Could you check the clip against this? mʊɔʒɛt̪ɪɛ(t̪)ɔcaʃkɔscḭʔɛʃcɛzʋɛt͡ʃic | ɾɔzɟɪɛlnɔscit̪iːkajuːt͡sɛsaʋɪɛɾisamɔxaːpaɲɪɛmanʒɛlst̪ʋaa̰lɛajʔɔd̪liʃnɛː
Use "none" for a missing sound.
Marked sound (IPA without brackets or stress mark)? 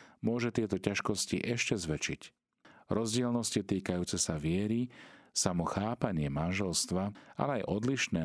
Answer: t̪